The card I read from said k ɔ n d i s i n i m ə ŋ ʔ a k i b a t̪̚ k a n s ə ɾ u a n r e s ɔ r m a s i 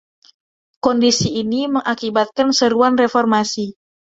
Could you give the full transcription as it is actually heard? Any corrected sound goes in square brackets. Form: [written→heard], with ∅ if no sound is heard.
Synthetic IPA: k ɔ n d i s [i→iː] n i m ə ŋ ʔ a k i b a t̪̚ k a n s ə ɾ u a n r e [s→f] ɔ r m a s i